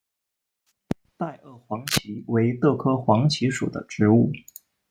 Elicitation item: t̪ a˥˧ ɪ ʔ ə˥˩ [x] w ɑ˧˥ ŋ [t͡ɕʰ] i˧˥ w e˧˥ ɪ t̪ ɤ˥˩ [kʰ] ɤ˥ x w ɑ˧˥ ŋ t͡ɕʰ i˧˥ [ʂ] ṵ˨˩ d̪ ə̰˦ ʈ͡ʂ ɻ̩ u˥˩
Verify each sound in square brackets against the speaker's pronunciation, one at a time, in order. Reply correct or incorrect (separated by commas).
correct, correct, correct, correct